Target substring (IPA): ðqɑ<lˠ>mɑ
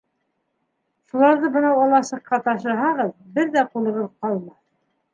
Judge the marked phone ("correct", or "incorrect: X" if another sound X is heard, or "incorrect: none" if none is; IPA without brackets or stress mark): correct